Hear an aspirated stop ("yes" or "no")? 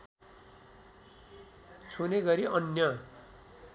yes